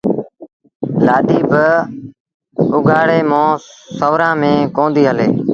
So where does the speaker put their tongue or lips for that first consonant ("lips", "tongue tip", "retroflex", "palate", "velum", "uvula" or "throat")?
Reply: tongue tip